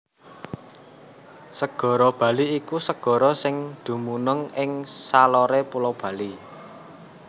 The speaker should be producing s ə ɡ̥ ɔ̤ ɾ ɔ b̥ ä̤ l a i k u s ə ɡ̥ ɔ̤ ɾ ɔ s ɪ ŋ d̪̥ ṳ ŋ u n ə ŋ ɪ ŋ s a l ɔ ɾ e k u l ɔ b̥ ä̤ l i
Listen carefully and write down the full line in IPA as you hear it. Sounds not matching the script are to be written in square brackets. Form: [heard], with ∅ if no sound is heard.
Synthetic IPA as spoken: s ə ɡ̥ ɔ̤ ɾ ɔ b̥ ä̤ l [i] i k u s ə ɡ̥ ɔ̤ ɾ ɔ s ɪ ŋ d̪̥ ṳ [m] u n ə ŋ ɪ ŋ s a l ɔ ɾ e [p] u l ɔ b̥ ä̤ l i